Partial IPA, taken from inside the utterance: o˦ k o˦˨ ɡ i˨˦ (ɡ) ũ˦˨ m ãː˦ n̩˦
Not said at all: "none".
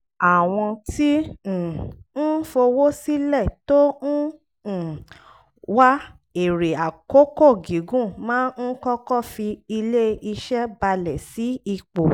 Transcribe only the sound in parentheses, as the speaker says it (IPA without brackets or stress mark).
ɡ